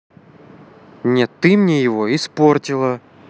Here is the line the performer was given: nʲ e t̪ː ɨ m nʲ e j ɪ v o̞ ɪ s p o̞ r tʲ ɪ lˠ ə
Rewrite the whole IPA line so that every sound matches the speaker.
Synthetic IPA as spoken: nʲ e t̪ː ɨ m nʲ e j ɪ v o̞ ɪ s p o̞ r tʲ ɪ lˠ ə